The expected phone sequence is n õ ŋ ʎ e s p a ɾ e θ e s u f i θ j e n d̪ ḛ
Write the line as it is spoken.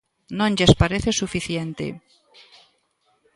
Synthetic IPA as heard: n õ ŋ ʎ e s p a ɾ e θ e s u f i θ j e n t̪ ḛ